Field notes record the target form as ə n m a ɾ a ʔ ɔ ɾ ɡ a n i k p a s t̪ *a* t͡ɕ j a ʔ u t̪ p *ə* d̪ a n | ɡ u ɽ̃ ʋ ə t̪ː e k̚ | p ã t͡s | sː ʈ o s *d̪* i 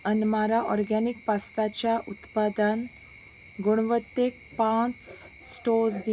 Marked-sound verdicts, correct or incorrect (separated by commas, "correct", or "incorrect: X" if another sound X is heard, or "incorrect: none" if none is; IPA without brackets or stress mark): correct, incorrect: a, correct